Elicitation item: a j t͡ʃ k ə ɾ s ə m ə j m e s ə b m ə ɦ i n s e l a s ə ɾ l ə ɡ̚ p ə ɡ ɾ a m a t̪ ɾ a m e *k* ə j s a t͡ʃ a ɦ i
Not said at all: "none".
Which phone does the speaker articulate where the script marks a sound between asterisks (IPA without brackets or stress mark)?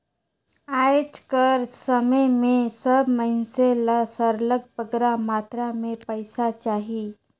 p